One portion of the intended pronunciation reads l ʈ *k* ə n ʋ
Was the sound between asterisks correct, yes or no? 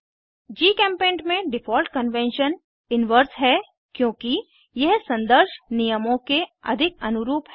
yes